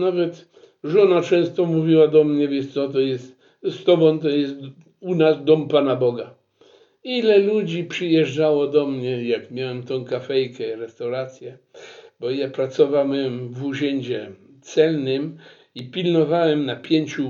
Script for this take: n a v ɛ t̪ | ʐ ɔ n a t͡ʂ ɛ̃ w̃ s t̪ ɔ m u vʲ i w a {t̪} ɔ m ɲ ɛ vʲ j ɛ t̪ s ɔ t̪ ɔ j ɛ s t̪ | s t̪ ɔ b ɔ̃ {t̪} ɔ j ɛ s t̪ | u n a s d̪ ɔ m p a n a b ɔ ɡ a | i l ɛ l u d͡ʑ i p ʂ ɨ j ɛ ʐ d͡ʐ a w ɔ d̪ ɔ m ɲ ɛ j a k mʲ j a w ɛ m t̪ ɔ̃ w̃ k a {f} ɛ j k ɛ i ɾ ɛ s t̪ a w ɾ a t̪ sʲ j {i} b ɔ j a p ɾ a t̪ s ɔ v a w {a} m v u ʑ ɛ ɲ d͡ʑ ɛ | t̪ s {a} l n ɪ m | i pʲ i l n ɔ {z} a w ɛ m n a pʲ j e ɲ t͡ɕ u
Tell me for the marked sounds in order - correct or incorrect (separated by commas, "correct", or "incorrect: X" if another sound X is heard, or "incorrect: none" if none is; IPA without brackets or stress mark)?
incorrect: d̪, correct, correct, incorrect: ɛ, incorrect: ɛ, incorrect: ɛ, incorrect: v